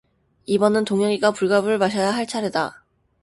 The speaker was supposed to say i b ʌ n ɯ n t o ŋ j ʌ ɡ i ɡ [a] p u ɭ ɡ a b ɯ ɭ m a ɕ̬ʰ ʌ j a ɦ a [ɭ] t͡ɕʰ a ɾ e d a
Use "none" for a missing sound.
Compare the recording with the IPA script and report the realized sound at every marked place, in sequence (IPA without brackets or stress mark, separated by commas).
a, ɭ